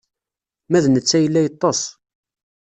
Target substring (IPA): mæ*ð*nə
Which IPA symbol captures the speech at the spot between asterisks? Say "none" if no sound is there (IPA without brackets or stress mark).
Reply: ð